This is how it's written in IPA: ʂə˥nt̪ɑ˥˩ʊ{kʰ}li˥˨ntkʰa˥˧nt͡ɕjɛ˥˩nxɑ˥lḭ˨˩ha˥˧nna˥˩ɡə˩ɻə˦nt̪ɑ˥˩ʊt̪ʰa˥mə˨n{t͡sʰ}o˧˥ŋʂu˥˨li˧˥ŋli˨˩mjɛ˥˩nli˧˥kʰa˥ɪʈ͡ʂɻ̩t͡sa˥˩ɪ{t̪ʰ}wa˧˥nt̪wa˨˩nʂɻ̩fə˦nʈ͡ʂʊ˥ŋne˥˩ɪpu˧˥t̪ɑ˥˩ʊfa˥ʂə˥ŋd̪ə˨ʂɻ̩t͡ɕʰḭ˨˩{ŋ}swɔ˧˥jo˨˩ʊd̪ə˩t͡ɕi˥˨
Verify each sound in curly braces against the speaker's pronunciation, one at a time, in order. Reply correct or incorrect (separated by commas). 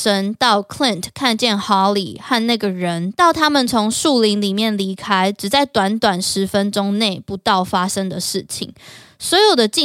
correct, correct, incorrect, correct